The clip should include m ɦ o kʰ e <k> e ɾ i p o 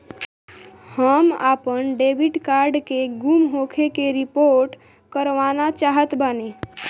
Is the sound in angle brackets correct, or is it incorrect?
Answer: correct